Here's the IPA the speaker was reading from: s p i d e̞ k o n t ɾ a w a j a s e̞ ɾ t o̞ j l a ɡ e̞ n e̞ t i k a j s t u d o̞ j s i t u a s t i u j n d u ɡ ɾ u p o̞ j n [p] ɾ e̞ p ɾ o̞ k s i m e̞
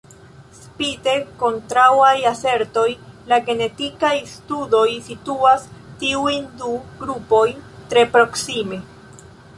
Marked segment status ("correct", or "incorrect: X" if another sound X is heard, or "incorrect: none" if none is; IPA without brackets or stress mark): incorrect: t